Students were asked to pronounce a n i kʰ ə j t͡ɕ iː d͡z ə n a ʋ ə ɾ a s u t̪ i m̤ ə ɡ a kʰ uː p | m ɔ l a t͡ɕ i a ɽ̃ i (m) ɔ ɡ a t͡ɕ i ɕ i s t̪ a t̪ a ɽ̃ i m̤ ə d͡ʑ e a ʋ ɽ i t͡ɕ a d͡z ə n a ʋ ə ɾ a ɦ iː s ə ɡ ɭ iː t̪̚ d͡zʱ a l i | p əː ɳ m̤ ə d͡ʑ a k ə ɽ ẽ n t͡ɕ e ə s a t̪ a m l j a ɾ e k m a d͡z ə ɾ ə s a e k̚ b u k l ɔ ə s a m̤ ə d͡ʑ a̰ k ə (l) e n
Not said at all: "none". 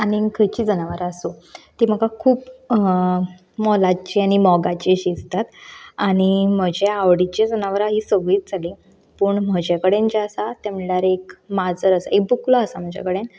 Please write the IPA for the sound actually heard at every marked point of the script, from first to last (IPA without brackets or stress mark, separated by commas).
m, ɽ